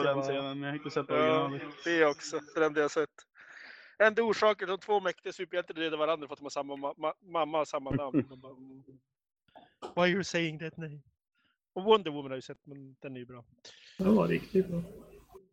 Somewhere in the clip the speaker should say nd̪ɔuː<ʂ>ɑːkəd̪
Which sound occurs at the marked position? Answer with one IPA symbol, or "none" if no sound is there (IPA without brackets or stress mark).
ʂ